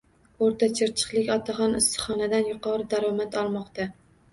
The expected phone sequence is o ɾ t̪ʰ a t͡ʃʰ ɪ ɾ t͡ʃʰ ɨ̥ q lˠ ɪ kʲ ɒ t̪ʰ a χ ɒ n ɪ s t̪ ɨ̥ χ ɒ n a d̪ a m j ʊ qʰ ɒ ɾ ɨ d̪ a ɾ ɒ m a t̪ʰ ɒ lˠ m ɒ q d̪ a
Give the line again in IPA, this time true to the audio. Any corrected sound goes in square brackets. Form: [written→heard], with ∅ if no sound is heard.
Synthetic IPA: o ɾ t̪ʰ a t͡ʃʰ ɪ ɾ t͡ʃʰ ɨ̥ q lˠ ɪ kʲ ɒ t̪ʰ a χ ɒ n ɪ s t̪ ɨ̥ χ ɒ n a d̪ a [m→n] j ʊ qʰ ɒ ɾ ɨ d̪ a ɾ ɒ m a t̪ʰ ɒ lˠ m ɒ q [d̪→t̪] a